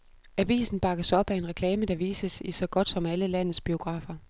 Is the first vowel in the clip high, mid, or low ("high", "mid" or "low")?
low